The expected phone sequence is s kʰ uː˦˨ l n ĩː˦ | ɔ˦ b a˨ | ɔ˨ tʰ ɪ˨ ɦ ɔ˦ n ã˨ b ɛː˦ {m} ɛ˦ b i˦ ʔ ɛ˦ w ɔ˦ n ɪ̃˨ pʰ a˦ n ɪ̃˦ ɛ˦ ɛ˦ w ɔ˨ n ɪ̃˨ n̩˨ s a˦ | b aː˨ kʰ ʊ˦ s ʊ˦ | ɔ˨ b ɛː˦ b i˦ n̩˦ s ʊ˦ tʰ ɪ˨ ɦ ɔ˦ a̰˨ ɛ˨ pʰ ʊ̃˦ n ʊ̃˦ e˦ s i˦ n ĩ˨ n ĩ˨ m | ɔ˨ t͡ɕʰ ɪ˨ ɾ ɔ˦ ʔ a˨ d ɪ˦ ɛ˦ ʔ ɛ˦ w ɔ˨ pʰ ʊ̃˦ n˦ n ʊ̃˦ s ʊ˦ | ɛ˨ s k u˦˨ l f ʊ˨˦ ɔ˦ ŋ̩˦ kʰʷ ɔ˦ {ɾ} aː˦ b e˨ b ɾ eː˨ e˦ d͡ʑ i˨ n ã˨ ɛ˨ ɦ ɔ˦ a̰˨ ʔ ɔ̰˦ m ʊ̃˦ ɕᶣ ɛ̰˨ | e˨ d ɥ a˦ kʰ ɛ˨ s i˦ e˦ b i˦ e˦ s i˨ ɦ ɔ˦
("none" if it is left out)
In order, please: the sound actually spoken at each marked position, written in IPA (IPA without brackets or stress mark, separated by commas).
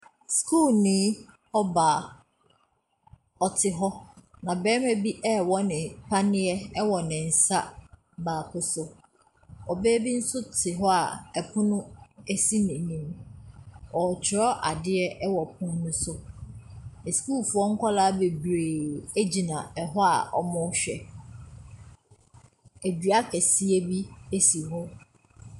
m, l